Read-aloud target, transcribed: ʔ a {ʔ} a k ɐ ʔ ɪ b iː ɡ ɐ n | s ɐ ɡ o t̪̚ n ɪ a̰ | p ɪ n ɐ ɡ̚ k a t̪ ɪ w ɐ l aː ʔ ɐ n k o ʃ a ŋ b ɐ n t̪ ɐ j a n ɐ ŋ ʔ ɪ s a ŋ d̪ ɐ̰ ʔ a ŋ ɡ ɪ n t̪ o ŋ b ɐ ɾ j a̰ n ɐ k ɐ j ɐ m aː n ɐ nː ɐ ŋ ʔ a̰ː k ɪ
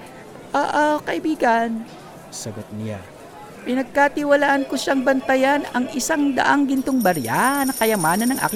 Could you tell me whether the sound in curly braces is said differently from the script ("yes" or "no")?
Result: no